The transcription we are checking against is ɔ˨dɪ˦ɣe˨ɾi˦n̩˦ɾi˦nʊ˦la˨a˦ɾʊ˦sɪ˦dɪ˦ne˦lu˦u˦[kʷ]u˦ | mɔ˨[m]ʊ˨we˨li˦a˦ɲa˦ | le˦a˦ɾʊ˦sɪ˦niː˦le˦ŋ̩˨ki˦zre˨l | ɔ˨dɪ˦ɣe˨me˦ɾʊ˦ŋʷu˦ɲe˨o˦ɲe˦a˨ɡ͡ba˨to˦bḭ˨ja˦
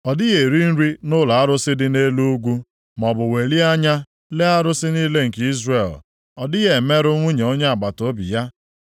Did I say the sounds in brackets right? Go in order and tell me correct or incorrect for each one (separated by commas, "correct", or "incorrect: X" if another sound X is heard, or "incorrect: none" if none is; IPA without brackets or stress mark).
incorrect: ɡʷ, incorrect: b